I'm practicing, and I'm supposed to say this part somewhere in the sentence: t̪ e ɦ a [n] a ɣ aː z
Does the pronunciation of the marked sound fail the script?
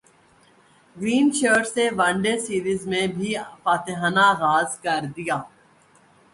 no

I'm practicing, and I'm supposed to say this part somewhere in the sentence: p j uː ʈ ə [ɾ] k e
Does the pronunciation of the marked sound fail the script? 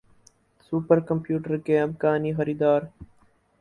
no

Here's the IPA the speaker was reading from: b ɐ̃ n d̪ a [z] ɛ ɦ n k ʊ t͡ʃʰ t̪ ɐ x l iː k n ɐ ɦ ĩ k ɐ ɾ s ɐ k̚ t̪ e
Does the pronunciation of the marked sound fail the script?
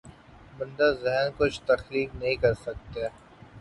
no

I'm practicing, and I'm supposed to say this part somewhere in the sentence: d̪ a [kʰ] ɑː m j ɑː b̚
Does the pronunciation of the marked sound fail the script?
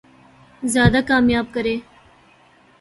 yes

